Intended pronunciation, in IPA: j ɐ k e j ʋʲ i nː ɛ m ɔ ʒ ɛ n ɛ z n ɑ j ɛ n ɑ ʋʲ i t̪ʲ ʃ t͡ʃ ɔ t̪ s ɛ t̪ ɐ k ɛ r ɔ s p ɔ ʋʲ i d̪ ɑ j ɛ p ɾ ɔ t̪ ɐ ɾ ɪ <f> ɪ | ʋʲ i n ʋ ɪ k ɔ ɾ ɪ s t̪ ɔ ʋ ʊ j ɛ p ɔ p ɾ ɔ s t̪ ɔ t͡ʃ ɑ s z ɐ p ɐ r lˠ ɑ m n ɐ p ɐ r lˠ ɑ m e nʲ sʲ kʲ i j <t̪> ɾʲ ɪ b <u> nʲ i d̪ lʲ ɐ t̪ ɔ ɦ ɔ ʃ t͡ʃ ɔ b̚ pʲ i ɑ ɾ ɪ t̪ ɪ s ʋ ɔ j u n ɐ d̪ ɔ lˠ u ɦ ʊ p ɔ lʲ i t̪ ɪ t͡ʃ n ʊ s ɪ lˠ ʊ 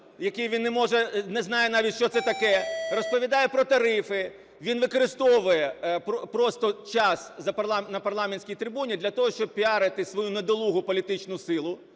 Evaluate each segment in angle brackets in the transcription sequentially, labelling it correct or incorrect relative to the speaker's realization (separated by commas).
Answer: correct, correct, correct